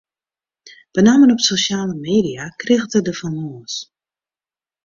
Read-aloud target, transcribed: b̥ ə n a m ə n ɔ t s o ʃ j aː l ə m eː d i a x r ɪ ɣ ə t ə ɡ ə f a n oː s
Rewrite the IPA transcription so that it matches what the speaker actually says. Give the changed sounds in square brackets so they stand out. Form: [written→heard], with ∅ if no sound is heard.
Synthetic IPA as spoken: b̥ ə n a m ə n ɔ [t→p] s o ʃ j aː l ə m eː d i a [x→k] r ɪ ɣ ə t ə [ɡ→d] ə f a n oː s